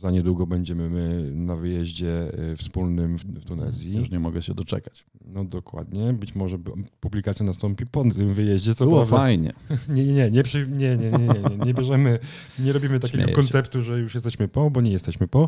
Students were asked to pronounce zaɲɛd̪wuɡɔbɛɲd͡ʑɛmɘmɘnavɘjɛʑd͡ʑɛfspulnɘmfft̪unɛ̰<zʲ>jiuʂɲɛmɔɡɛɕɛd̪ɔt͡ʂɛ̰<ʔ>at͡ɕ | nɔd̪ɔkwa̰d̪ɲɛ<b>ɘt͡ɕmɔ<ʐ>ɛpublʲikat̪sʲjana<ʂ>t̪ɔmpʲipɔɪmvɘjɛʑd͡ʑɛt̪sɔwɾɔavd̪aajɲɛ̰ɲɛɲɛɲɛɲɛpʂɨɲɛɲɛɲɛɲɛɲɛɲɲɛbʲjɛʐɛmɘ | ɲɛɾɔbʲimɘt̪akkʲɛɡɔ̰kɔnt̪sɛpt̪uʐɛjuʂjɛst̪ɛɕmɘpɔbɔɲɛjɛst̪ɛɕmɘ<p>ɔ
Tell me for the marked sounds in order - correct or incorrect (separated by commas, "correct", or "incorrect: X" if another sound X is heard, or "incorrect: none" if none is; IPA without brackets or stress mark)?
correct, incorrect: k, correct, correct, incorrect: s, correct